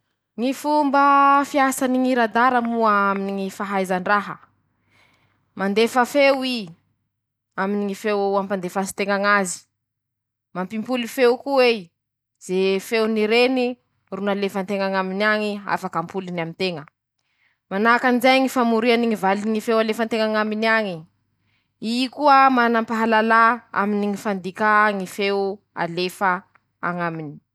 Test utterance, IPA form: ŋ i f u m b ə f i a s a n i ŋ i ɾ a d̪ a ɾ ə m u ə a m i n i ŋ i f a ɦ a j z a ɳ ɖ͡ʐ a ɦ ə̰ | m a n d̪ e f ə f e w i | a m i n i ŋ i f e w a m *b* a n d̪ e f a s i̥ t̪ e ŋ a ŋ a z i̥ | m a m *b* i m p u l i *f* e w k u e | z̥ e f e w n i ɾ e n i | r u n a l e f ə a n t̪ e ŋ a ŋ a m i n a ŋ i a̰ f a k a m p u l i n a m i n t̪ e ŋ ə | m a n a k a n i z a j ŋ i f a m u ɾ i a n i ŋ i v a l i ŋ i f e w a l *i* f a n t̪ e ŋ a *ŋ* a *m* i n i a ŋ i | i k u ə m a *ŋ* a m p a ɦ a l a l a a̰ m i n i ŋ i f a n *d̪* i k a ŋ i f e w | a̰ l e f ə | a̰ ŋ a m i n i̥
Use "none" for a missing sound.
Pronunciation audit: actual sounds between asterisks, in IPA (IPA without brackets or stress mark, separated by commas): p, p, f, e, ŋ, m, n, d̪